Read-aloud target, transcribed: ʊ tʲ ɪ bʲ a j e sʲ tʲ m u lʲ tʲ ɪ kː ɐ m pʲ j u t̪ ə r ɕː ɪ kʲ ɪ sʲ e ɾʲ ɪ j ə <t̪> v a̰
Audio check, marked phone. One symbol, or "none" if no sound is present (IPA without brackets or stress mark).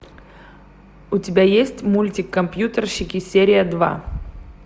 d̪